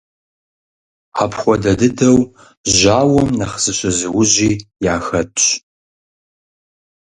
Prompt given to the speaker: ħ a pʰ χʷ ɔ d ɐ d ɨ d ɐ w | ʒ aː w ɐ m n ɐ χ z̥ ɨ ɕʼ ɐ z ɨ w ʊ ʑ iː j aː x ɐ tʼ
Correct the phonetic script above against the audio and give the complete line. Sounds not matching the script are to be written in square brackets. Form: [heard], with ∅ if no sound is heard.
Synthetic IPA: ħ a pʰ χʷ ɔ d ɐ d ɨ d ɐ w | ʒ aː w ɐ m n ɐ χ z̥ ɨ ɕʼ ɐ z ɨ w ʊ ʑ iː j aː x ɐ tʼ